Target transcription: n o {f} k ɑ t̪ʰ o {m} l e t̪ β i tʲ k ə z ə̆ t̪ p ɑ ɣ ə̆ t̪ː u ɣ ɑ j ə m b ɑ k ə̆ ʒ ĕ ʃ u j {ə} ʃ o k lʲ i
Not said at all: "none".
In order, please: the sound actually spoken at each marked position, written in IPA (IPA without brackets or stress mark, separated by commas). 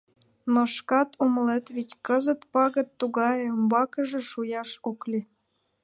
ʃ, m, ɑ